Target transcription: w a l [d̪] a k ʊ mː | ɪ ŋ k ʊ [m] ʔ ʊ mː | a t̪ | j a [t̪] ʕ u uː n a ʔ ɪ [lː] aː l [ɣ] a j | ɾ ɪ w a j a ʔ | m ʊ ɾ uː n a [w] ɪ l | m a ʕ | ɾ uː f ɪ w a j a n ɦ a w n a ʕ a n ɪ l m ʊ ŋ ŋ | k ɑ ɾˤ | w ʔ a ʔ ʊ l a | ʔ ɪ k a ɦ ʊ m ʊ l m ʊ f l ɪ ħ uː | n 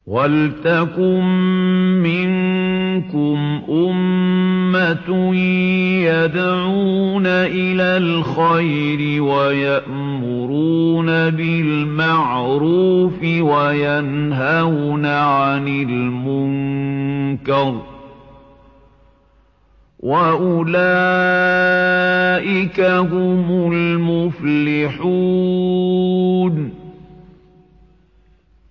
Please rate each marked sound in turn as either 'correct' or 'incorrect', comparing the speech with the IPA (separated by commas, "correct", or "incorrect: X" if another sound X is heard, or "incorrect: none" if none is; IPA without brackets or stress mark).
incorrect: t̪, correct, incorrect: d̪, incorrect: l, incorrect: x, incorrect: b